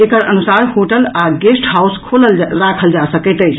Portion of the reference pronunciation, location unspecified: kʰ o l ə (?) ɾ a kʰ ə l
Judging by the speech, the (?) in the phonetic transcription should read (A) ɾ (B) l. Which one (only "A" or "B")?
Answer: B